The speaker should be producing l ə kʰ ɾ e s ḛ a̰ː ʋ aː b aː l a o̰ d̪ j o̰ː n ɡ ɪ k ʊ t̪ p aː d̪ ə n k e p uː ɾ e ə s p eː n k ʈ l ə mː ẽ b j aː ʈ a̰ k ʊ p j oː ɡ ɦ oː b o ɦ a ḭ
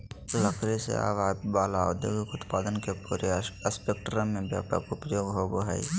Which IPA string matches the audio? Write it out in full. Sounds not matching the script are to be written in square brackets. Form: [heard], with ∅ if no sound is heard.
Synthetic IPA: l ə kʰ ɾ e s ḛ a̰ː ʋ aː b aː l a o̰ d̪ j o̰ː [∅] ɡ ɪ k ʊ t̪ p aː d̪ ə n k e p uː ɾ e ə s p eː [∅] k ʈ [ɾ] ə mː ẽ b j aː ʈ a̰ k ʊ p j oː ɡ ɦ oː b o ɦ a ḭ